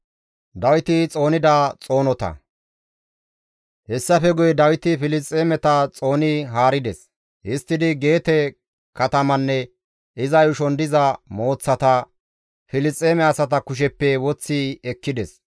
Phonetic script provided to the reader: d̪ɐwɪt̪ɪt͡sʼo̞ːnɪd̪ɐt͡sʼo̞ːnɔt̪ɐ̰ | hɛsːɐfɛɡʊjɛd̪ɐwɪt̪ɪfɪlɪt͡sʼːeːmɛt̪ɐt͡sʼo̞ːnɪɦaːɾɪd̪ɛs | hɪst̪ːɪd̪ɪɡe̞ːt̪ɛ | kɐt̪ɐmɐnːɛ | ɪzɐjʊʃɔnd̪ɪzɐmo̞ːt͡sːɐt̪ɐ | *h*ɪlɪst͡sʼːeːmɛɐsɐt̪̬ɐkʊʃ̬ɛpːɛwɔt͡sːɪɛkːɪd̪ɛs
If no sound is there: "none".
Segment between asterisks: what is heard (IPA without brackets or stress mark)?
f